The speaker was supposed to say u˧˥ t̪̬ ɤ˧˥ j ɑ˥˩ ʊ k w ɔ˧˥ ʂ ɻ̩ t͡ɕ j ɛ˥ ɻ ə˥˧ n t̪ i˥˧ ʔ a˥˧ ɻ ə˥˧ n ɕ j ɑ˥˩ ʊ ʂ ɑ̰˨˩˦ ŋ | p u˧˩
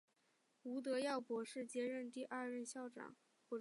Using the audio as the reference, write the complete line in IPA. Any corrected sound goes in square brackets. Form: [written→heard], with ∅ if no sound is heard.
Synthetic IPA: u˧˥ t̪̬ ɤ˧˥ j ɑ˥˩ ʊ [k→p] w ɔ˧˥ ʂ ɻ̩ t͡ɕ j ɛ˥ ɻ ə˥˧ n t̪ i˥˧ ʔ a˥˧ ɻ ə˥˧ n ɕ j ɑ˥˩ ʊ [ʂ→ʈ͡ʂ] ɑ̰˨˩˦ ŋ | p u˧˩

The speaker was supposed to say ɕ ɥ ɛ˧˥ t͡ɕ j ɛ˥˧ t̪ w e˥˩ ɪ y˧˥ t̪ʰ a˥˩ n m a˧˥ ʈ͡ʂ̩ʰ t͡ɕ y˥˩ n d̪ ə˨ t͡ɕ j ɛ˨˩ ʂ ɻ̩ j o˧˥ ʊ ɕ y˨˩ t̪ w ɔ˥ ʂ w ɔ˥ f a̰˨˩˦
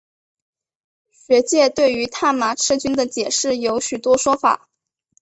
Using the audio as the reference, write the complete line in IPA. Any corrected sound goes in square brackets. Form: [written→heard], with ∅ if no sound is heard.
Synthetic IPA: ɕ ɥ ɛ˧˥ t͡ɕ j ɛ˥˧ t̪ w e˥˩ ɪ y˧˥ t̪ʰ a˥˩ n m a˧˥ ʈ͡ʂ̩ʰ t͡ɕ [y˥˩→y˥] n d̪ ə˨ t͡ɕ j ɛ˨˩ ʂ ɻ̩ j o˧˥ ʊ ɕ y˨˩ t̪ w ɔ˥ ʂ w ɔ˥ f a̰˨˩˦

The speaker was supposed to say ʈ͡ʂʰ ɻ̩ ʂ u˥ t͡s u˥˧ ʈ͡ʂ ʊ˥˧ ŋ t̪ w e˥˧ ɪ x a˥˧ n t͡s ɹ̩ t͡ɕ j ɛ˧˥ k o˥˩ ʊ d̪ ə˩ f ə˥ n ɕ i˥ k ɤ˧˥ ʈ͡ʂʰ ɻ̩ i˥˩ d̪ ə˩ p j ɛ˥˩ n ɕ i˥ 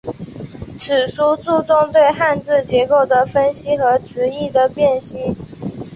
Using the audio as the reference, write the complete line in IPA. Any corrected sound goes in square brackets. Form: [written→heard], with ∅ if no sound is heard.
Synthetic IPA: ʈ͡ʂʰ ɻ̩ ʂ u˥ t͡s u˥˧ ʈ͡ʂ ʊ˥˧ ŋ t̪ w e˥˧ ɪ x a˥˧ n t͡s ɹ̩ t͡ɕ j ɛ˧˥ k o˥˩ ʊ d̪ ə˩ f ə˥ n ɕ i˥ [k→x] ɤ˧˥ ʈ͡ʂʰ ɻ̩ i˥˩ d̪ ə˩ p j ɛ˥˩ n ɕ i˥

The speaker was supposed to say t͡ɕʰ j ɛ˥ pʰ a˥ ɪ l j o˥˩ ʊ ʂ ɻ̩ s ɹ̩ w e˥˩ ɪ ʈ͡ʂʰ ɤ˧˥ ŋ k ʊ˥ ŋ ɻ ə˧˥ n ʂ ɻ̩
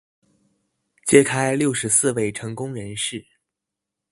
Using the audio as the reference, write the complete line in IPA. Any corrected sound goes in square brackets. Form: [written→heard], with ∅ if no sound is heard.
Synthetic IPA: [t͡ɕʰ→t͡ɕ] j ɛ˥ [pʰ→kʰ] a˥ ɪ l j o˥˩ ʊ ʂ ɻ̩ s ɹ̩ w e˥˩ ɪ ʈ͡ʂʰ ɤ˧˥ ŋ k ʊ˥ ŋ ɻ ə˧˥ n ʂ ɻ̩

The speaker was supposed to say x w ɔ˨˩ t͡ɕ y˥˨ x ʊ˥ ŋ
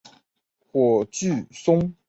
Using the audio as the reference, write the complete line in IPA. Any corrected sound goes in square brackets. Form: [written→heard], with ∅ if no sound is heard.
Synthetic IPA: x w ɔ˨˩ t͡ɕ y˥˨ [x→s] ʊ˥ ŋ

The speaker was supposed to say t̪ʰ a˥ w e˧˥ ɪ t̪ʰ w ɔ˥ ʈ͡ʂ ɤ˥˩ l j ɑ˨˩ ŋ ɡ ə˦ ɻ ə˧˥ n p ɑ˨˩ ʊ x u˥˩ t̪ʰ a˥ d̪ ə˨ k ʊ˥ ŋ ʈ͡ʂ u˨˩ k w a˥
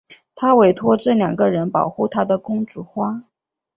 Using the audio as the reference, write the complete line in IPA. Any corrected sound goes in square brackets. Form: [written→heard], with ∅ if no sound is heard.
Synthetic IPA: t̪ʰ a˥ w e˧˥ ɪ t̪ʰ w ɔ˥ ʈ͡ʂ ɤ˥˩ l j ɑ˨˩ ŋ ɡ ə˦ ɻ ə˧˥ n p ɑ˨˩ ʊ x u˥˩ t̪ʰ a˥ d̪ ə˨ k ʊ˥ ŋ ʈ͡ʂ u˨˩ [k→x] w a˥

